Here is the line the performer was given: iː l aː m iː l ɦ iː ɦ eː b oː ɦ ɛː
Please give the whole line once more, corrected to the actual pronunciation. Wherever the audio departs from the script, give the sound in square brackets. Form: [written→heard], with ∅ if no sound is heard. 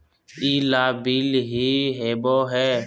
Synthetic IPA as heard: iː l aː [m→b] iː l ɦ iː ɦ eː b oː ɦ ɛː